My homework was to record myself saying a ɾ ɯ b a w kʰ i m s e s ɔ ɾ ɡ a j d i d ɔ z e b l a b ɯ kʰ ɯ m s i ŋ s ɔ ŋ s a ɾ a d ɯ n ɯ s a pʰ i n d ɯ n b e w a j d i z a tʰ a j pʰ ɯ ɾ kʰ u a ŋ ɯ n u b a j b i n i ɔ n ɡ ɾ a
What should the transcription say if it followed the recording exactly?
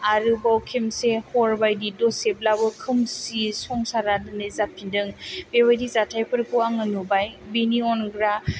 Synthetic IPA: a ɾ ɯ b a w kʰ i m s e h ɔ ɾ b a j d i d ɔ s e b l a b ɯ kʰ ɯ m s i s ɔ ŋ s a ɾ a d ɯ n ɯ z a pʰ i n d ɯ ŋ b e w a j d i z a tʰ a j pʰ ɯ ɾ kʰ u a ŋ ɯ n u b a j b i n i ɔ n ɡ ɾ a